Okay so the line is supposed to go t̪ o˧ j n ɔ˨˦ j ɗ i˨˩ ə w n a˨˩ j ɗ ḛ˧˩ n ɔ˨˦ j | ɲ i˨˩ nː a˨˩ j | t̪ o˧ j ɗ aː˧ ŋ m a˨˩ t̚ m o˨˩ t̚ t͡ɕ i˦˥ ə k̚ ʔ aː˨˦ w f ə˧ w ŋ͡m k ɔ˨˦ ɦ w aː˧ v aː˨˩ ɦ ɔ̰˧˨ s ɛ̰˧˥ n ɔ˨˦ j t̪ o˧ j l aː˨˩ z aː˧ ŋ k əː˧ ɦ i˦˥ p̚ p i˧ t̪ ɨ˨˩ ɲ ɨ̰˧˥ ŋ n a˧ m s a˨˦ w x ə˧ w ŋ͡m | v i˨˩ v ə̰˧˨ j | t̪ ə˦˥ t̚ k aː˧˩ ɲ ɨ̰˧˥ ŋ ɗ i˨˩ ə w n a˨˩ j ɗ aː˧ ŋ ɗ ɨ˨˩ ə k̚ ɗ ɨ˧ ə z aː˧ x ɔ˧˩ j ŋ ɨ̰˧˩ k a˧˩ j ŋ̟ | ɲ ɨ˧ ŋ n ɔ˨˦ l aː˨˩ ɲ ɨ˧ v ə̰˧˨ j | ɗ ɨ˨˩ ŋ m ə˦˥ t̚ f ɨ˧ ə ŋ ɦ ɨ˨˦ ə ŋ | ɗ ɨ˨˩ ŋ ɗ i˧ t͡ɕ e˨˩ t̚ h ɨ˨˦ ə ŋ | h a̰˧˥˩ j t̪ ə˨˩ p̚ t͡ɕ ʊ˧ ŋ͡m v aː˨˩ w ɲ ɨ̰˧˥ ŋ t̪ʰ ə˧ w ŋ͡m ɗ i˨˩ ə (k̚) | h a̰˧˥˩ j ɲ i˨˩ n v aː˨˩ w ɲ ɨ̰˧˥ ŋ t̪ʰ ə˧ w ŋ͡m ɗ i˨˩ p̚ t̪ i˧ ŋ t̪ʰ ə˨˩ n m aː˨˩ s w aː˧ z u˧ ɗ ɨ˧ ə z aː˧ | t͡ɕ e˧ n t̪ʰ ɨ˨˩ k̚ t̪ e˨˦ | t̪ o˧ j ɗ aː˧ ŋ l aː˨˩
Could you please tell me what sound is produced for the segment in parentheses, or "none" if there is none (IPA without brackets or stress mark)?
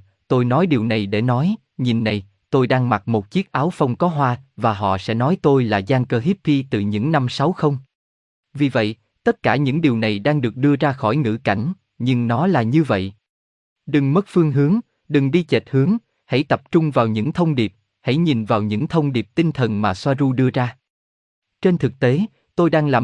p̚